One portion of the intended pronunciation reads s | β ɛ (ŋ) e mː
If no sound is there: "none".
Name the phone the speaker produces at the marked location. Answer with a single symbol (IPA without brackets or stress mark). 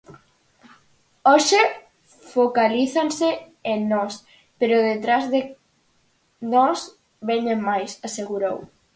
ɲ